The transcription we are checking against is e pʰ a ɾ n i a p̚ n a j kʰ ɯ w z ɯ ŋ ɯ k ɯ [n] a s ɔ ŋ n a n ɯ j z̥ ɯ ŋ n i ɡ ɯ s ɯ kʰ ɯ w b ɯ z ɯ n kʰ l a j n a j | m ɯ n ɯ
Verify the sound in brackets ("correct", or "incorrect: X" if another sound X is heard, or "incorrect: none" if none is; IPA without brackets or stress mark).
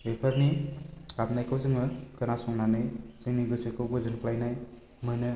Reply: correct